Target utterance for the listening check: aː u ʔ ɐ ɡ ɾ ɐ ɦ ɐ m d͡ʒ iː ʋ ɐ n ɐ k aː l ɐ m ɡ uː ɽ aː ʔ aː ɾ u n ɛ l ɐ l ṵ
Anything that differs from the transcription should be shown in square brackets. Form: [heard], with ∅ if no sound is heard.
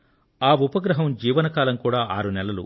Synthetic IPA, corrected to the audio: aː u [p] ɐ ɡ ɾ ɐ ɦ ɐ m d͡ʒ iː ʋ ɐ n ɐ k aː l ɐ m [k] uː ɽ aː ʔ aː ɾ u n ɛ l ɐ l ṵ